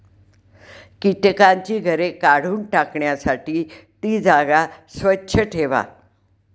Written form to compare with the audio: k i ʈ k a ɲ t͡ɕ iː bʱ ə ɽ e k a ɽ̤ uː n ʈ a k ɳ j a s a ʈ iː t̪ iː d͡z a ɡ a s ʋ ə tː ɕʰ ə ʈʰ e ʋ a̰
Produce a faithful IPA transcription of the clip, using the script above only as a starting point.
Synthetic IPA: k i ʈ k a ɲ t͡ɕ iː ɡʱ ə ɾ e k a ɽ̤ uː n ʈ a k ɳ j a s a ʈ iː t̪ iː d͡z a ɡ a s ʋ ə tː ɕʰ ə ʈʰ e ʋ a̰